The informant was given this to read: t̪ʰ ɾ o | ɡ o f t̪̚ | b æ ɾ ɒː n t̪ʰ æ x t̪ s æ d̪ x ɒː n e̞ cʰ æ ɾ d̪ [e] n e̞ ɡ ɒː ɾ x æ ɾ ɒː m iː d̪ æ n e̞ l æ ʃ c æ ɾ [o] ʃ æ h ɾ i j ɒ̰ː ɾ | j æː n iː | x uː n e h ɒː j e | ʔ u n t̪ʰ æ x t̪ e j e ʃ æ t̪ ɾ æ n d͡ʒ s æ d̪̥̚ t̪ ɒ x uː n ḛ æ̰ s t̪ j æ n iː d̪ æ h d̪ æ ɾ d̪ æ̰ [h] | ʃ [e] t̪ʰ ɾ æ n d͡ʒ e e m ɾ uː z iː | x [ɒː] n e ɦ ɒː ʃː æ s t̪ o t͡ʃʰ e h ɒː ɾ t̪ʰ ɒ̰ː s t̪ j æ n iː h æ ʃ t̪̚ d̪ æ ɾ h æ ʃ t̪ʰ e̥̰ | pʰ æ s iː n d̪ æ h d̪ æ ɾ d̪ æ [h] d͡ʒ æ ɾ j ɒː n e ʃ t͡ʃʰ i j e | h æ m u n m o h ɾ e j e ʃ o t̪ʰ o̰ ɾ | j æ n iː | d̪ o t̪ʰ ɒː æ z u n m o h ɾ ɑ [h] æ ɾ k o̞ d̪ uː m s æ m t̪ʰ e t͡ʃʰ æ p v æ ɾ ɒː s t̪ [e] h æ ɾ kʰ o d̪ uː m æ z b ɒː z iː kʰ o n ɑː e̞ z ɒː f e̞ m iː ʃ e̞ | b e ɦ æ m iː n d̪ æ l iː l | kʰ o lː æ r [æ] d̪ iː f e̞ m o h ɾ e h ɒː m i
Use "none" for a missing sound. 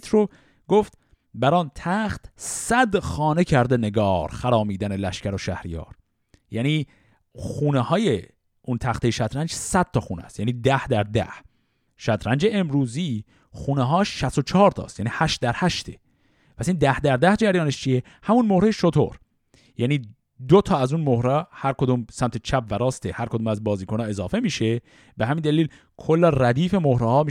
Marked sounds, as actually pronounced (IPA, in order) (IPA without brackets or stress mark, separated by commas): e, o, h, æ, uː, h, h, e, æ